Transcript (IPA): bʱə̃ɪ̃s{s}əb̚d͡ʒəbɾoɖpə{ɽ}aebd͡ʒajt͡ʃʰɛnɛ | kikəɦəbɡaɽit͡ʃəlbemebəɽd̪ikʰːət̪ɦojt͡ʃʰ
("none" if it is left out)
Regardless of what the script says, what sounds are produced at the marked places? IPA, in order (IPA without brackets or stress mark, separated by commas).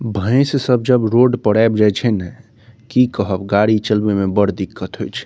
s, ɽ